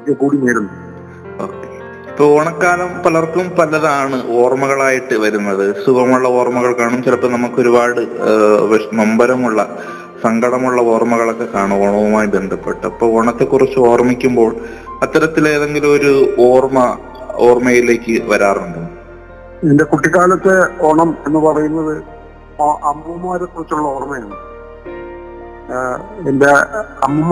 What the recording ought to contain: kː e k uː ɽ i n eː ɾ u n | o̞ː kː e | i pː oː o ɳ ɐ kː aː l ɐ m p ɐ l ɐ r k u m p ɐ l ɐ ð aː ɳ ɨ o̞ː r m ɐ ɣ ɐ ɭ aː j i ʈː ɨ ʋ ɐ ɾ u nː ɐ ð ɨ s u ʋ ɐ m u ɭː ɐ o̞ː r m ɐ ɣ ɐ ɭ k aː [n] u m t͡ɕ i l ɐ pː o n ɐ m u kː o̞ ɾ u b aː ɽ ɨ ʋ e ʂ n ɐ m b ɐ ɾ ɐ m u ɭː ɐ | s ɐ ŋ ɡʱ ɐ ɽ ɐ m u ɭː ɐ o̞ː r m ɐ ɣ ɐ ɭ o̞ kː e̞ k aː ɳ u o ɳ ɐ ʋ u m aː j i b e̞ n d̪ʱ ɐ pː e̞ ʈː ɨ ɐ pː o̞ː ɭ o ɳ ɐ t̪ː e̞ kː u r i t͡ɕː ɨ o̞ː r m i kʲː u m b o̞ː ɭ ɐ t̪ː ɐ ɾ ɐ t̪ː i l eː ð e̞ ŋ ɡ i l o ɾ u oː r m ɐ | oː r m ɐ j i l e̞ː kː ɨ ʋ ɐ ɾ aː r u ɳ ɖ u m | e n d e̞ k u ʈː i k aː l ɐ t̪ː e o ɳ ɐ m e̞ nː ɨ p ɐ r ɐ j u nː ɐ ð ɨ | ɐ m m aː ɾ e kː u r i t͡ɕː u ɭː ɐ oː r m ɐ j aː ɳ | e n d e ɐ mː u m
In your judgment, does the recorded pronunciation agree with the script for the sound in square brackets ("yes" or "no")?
no